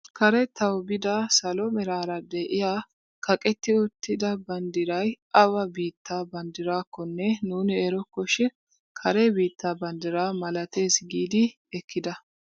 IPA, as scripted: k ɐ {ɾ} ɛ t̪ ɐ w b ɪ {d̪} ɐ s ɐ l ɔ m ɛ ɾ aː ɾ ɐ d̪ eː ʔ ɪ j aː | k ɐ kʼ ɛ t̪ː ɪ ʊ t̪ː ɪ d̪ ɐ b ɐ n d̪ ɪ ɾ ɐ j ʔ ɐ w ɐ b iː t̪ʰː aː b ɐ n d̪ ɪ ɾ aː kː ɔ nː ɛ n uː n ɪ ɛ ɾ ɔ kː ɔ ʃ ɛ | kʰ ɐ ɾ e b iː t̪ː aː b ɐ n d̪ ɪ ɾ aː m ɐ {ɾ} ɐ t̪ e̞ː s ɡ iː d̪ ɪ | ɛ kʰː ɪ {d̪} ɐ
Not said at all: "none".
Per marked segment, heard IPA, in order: ɾ, d̪, l, d̪

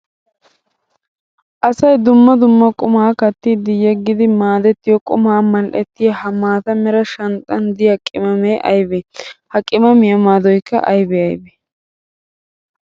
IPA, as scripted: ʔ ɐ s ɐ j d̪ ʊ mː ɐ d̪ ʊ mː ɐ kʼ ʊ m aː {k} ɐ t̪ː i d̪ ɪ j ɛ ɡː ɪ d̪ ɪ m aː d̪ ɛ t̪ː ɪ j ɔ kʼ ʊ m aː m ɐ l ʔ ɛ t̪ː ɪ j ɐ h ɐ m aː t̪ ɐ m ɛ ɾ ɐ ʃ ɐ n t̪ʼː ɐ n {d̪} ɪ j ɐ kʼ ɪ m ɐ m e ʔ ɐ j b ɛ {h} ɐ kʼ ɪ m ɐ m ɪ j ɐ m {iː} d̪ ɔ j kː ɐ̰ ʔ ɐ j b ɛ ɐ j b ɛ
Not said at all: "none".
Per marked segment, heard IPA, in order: k, d̪, h, aː

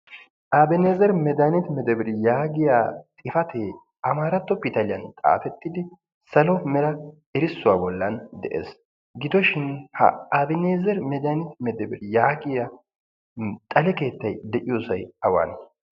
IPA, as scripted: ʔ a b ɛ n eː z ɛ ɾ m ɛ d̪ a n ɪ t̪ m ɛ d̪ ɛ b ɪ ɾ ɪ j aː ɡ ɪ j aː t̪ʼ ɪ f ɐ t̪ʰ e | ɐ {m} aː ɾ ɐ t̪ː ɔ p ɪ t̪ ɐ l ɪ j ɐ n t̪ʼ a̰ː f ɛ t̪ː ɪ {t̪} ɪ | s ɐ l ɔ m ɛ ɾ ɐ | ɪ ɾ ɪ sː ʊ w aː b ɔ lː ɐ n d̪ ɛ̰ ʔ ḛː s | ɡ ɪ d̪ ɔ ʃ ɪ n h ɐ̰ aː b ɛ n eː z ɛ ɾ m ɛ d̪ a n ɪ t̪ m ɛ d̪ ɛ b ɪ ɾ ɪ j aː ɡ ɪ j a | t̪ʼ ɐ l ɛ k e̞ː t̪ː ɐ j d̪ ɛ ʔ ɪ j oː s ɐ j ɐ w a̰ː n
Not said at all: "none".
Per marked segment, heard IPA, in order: m, d̪

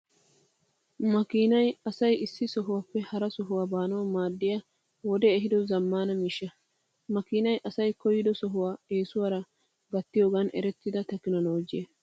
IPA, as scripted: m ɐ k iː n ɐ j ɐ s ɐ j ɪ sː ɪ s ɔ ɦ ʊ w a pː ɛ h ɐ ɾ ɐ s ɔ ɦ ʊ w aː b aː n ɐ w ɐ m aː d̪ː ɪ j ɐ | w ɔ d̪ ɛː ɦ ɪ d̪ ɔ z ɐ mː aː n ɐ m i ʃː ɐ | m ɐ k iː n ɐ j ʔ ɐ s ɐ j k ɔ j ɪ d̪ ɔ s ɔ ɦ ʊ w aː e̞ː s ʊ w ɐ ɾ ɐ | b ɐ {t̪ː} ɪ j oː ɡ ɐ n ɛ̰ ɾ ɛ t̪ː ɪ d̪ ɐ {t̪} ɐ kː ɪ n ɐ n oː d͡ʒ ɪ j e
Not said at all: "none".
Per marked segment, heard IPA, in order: t̪ː, t̪

